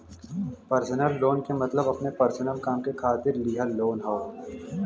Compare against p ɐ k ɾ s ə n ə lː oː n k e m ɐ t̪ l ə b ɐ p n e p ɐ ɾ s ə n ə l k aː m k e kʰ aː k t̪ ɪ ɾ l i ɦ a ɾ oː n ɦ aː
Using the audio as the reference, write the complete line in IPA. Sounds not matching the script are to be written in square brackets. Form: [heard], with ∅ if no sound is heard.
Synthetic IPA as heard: p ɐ [∅] ɾ s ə n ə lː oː n k e m ɐ t̪ l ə b ɐ p n e p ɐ ɾ s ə n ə l k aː m k e kʰ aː [∅] t̪ ɪ ɾ l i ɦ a [l] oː n ɦ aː